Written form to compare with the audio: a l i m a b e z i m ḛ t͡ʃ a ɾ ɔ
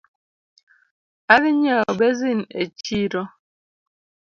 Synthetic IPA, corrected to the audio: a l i ɲ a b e z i n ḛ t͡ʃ i ɾ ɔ